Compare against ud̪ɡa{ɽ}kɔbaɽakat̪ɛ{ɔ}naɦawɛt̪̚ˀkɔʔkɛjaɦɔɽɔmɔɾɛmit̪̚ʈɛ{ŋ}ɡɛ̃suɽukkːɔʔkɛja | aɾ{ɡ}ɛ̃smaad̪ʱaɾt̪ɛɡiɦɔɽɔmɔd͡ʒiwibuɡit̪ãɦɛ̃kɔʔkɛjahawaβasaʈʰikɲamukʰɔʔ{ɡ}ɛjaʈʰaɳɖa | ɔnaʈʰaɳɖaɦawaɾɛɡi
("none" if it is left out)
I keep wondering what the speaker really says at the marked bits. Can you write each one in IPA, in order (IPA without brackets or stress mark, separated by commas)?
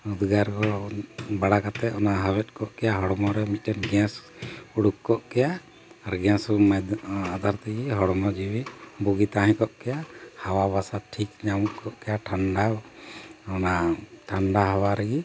ɾ, ɔ, n, ɡ, k